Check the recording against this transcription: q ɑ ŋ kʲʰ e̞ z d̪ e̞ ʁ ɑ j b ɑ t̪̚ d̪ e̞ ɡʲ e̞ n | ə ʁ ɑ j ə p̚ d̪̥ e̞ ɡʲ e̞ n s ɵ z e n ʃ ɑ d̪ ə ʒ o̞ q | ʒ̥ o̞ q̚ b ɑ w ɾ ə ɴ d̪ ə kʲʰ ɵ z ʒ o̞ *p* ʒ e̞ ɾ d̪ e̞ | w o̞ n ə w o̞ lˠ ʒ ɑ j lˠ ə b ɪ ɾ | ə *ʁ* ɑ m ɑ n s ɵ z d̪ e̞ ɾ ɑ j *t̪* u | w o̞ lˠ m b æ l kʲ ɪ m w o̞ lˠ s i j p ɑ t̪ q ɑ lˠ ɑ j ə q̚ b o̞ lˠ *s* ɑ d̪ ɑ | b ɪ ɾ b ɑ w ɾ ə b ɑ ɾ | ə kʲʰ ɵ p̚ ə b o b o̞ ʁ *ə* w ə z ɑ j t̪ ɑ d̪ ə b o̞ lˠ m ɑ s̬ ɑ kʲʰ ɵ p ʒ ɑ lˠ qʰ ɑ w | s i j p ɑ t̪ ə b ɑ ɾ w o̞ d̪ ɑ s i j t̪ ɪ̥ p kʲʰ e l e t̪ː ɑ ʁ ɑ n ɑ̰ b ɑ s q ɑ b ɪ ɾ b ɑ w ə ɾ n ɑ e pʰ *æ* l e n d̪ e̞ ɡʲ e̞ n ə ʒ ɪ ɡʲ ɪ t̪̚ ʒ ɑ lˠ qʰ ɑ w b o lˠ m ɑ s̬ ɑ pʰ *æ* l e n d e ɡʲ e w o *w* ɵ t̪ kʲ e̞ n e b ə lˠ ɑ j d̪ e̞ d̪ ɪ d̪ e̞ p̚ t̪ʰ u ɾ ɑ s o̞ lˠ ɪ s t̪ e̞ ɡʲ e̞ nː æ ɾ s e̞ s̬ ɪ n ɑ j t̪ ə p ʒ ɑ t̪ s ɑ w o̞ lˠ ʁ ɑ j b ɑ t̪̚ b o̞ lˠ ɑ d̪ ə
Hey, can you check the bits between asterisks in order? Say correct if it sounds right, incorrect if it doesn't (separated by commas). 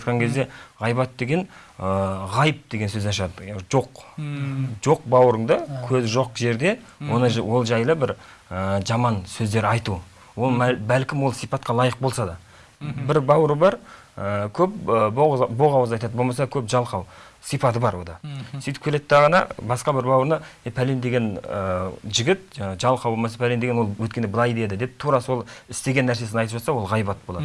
incorrect, incorrect, correct, correct, incorrect, correct, correct, correct